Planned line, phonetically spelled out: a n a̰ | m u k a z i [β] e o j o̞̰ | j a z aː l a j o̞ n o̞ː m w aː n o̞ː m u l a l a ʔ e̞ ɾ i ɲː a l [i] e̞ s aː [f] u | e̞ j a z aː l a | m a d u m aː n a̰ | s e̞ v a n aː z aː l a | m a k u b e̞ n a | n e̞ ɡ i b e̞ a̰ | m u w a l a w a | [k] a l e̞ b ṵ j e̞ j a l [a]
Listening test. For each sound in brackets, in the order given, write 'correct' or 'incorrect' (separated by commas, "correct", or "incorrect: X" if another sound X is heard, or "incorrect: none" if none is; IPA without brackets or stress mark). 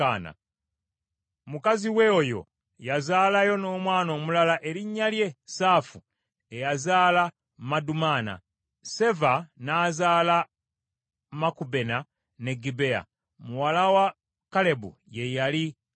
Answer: incorrect: w, incorrect: j, correct, correct, incorrect: i